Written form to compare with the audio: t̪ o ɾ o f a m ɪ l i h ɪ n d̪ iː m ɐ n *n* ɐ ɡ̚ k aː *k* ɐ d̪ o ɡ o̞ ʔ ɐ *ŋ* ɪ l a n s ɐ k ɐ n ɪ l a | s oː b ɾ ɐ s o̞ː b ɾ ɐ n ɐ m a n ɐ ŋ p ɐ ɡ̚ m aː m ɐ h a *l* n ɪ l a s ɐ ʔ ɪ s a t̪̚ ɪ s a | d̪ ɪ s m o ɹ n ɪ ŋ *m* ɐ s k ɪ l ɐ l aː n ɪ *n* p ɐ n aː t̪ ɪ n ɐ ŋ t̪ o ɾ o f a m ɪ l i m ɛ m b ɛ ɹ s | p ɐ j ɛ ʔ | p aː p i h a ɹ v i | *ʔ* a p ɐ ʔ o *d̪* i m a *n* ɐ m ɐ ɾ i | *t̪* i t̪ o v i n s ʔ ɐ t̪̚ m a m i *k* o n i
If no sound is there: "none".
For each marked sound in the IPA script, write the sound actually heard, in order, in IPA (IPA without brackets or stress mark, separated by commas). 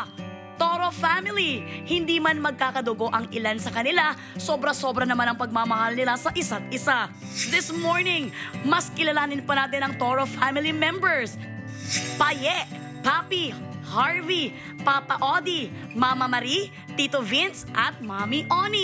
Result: m, k, ŋ, l, m, n, p, d̪, m, t̪, ʔ